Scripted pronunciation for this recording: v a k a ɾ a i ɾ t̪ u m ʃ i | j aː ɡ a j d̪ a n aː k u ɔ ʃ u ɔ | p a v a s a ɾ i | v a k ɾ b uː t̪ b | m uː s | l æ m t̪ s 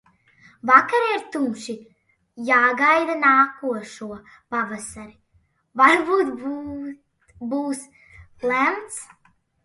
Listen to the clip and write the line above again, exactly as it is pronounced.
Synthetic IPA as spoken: v a k a ɾ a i ɾ t̪ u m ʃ i | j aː ɡ a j d̪ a n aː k u ɔ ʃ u ɔ | p a v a s a ɾ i | v a ɾ b uː t̪ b | b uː s | l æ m t̪ s